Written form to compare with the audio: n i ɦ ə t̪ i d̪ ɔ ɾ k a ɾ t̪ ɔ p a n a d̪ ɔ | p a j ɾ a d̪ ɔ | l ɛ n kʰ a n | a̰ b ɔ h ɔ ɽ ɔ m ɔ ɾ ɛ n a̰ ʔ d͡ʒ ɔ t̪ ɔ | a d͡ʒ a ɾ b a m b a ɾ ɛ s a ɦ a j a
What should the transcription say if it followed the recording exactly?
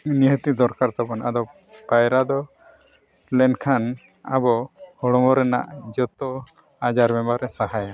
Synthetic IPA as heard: n i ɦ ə t̪ i d̪ ɔ ɾ k a ɾ t̪ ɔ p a n a d̪ ɔ | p a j ɾ a d̪ ɔ | l ɛ n kʰ a n | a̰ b ɔ h ɔ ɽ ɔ m ɔ ɾ ɛ n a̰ ʔ d͡ʒ ɔ t̪ ɔ | a d͡ʒ a ɾ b ɛ m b a ɾ ɛ s a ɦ a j a

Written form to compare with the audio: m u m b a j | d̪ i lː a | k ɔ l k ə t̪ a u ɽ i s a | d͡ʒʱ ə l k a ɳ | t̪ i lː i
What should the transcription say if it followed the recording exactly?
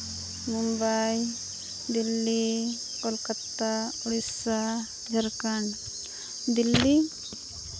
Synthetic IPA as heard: m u m b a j | d̪ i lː i | k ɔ l k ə t̪ a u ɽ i s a | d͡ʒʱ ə ɾ k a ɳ | d̪ i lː i

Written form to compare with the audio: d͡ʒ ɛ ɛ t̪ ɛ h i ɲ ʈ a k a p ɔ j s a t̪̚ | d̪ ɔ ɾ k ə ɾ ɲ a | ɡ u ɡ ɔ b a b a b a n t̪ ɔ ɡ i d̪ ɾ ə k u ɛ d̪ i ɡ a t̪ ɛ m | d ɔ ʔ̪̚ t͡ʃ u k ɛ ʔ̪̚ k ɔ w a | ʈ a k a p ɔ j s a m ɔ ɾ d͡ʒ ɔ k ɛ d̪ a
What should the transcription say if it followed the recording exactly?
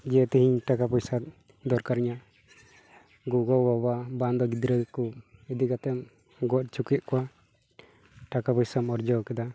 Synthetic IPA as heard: d͡ʒ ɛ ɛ t̪ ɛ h i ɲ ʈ a k a p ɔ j s a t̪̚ | d̪ ɔ ɾ k a ɾ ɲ a | ɡ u ɡ ɔ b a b a b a n d̪ ɔ ɡ i d̪ ɾ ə k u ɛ d̪ i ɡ a t̪ ɛ m | ɡ ɔ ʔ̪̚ t͡ʃ u k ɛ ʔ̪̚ k ɔ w a | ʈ a k a p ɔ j s a m ɔ ɾ d͡ʒ ɔ k ɛ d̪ a

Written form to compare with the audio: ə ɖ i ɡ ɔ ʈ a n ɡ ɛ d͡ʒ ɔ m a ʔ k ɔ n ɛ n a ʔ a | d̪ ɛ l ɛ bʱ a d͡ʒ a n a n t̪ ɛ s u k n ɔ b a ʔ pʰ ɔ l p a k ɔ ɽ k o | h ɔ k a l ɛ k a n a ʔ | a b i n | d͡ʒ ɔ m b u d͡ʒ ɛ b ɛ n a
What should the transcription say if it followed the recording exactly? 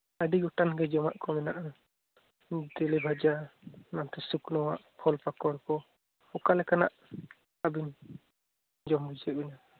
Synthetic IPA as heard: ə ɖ i ɡ ɔ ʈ a n ɡ ɛ d͡ʒ ɔ m a ʔ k ɔ m ɛ n a ʔ a | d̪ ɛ l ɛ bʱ a d͡ʒ a n a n t̪ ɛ s u k n ɔ w a ʔ pʰ ɔ l p a k ɔ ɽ k ɔ | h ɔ k a l ɛ k a n a ʔ | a b i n | d͡ʒ ɔ m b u d͡ʒ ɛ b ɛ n a

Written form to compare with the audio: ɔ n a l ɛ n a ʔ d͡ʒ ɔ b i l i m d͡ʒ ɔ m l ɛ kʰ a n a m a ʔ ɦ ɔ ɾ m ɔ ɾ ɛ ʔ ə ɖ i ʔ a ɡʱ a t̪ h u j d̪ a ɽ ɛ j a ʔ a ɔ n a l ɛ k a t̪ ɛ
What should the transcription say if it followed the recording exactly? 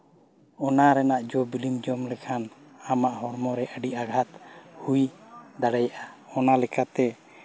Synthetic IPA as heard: ɔ n a ɾ ɛ n a ʔ d͡ʒ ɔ b i l i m d͡ʒ ɔ m l ɛ kʰ a n a m a ʔ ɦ ɔ ɾ m ɔ ɾ ɛ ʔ ə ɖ i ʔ a ɡʱ a t̪ h u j d̪ a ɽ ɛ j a ʔ a ɔ n a l ɛ k a t̪ ɛ

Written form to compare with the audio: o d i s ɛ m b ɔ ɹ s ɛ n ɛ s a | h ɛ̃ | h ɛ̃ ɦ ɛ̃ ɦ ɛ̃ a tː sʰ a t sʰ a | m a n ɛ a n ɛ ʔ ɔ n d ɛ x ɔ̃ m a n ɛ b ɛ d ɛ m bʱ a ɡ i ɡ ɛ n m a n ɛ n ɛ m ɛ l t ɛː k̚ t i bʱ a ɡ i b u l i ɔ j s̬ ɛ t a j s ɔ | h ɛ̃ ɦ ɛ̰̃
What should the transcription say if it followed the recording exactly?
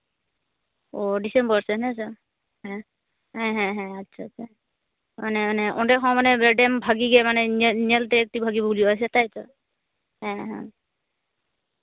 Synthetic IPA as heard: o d i s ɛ m b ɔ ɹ s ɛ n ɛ s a | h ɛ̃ | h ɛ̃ ɦ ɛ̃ ɦ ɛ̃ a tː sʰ a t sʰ a | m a n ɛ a n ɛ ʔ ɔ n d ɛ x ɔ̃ m a n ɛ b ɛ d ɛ m bʱ a ɡ i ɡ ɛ m a n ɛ n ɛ n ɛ l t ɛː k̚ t i bʱ a ɡ i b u l i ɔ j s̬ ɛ t a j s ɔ | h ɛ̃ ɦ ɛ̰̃

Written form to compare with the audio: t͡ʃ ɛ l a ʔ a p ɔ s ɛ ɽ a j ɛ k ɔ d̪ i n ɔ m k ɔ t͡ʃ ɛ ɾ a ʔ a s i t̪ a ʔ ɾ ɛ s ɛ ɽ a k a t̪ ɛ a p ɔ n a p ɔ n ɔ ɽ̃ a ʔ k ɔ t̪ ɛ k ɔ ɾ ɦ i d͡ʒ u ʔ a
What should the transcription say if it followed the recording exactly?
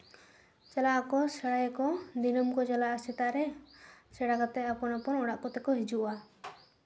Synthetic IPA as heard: t͡ʃ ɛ l a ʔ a k ɔ s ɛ ɽ a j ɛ k ɔ d̪ i n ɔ m k ɔ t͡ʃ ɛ l a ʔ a s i t̪ a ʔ ɾ ɛ s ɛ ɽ a k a t̪ ɛ a p ɔ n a p ɔ n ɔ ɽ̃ a ʔ k ɔ t̪ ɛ k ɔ ɦ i d͡ʒ u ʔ a

